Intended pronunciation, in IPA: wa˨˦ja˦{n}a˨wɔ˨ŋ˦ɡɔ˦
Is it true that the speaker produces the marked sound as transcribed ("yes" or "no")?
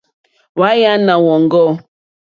yes